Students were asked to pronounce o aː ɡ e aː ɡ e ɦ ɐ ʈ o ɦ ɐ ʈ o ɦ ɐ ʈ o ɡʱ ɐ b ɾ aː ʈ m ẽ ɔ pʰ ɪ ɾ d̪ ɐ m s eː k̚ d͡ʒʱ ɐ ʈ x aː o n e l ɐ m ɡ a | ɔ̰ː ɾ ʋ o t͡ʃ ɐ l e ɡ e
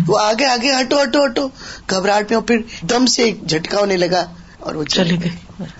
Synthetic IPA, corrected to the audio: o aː ɡ e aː ɡ e ɦ ɐ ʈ o ɦ ɐ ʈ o ɦ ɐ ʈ o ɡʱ ɐ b ɾ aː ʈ m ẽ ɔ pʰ ɪ ɾ d̪ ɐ m s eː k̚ d͡ʒʱ ɐ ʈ k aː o n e l ɐ ɡ a | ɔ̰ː ɾ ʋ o t͡ʃ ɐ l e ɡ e